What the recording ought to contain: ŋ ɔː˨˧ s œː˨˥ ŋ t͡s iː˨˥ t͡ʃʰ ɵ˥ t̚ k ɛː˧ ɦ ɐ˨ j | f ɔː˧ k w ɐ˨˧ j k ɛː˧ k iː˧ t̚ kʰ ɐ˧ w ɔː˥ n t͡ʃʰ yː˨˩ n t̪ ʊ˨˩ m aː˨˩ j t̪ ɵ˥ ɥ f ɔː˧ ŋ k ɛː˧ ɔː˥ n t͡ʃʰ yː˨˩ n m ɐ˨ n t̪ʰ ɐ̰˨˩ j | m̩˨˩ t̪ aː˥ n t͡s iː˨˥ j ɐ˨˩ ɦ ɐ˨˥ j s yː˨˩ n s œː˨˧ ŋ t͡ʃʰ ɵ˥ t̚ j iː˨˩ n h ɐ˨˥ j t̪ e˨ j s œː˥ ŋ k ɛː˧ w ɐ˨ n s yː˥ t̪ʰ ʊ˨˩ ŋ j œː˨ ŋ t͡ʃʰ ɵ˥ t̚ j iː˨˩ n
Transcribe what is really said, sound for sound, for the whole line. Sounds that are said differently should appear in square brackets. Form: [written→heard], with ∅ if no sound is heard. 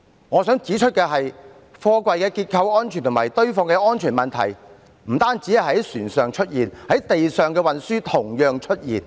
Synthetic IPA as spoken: ŋ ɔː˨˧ s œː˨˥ ŋ t͡s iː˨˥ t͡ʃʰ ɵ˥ t̚ k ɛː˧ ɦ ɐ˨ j | f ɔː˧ k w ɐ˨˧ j k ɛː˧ k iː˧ t̚ kʰ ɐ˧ w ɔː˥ n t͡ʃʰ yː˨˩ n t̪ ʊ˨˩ m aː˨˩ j t̪ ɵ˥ ɥ f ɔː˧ ŋ k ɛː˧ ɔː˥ n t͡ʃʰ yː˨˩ n m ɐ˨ n t̪ʰ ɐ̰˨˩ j | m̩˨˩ t̪ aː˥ n t͡s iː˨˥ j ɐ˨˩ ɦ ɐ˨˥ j s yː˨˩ n s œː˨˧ ŋ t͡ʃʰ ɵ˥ t̚ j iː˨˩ n h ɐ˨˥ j t̪ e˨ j s [œː˥→œː˨] ŋ k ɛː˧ w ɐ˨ n s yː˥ t̪ʰ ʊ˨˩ ŋ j œː˨ ŋ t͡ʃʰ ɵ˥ t̚ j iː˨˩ n